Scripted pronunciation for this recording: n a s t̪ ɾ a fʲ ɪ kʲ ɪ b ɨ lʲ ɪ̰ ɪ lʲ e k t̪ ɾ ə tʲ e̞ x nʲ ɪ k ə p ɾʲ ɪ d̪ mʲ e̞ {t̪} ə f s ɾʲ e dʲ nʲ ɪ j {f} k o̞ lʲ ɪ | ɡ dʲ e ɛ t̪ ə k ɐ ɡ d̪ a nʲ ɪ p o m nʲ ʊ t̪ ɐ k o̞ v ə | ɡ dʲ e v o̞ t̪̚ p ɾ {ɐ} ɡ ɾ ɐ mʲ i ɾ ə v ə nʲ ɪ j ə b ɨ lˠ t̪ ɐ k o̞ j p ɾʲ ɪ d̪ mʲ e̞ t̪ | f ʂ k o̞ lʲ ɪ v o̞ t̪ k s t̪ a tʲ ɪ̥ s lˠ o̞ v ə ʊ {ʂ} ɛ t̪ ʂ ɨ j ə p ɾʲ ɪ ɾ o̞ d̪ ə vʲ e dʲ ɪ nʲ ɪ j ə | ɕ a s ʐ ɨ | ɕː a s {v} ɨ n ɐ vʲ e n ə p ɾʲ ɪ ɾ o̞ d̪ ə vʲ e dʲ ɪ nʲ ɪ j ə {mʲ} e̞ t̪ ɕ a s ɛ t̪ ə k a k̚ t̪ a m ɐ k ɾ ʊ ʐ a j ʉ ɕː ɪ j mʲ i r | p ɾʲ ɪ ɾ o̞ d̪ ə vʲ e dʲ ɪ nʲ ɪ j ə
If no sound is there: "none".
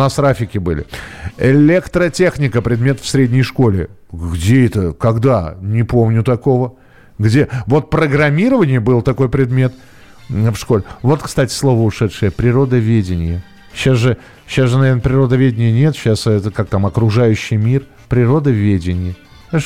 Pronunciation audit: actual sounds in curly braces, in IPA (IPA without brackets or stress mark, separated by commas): t̪, ʂ, ə, ʂ, ʐ, nʲ